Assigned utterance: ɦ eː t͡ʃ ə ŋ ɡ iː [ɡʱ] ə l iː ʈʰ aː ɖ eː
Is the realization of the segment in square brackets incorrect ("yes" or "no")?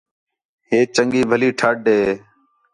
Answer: yes